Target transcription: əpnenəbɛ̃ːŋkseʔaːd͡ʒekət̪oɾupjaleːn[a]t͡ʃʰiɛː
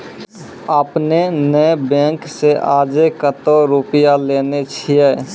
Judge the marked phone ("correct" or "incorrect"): incorrect